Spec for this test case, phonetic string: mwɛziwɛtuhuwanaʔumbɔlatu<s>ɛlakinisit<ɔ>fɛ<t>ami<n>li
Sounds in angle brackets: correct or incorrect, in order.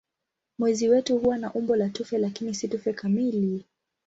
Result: incorrect, incorrect, incorrect, incorrect

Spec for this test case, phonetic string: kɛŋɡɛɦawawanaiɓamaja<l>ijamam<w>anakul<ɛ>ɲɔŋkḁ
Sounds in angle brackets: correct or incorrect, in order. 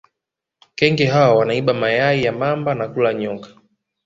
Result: incorrect, incorrect, incorrect

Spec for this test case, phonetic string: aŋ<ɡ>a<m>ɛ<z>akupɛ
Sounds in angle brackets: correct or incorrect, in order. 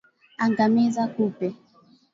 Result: correct, correct, correct

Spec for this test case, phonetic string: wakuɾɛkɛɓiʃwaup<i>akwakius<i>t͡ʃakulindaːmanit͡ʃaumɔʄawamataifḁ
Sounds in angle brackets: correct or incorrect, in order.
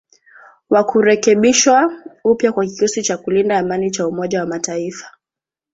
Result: incorrect, correct

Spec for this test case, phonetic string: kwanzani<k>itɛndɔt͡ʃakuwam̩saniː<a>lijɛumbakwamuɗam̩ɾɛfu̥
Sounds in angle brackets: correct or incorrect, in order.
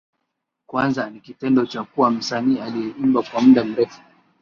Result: correct, correct

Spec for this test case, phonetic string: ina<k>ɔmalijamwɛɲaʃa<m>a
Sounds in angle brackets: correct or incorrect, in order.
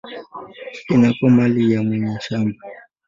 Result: correct, correct

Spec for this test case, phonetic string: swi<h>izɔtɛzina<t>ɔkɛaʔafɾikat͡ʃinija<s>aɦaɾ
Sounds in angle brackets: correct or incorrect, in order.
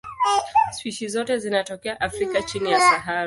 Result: incorrect, correct, correct

